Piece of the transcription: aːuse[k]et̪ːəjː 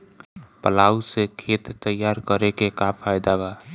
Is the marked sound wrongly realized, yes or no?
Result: yes